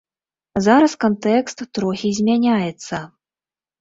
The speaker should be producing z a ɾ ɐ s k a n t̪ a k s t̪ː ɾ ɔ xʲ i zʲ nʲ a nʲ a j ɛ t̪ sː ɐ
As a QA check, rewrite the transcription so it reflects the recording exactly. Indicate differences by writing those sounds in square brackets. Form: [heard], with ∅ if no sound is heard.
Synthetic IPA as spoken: z a ɾ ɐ s k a n t̪ [ɛ] k s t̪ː ɾ ɔ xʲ i zʲ [mʲ] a nʲ a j ɛ t̪ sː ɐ